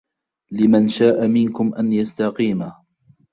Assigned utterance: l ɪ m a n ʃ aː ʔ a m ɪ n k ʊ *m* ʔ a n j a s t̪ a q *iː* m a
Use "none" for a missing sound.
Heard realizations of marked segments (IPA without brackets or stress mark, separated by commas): m, iː